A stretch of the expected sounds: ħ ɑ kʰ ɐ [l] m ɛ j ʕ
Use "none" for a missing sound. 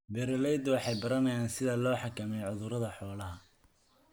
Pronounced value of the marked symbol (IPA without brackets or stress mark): none